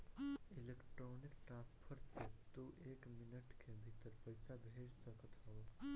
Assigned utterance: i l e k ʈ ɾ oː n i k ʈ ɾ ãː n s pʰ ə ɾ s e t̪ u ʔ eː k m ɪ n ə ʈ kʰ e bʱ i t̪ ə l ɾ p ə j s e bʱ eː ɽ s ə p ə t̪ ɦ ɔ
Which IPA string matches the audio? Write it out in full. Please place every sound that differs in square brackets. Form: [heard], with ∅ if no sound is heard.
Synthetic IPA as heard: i l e k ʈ ɾ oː n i k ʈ ɾ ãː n s pʰ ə ɾ s e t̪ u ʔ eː k m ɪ n ə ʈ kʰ e bʱ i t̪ ə [∅] ɾ p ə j s [a] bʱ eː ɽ s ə [k] ə t̪ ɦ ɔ